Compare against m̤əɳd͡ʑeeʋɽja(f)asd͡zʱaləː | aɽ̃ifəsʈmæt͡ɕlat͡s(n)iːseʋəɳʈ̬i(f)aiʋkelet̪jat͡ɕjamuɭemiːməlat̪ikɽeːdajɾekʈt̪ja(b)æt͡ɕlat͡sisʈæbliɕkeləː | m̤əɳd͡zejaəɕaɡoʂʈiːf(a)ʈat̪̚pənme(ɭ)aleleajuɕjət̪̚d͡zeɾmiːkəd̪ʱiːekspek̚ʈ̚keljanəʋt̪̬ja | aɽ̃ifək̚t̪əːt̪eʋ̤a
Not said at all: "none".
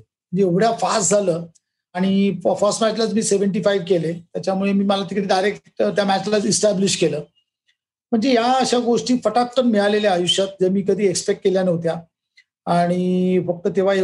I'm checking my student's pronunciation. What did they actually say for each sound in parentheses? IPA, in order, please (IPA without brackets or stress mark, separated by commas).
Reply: f, m, f, m, ə, ɭ